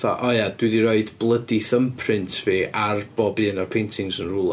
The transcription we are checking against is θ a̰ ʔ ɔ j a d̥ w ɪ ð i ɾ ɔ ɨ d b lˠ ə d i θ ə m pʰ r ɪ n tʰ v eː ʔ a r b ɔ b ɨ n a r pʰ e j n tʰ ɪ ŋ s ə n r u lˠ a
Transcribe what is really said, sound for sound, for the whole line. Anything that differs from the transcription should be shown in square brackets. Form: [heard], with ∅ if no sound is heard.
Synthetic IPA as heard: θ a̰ ʔ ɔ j a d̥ w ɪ ð i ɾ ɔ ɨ d b lˠ ə d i θ ə m pʰ r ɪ n tʰ v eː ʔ a r b ɔ b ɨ n a r pʰ e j n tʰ ɪ ŋ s ə n r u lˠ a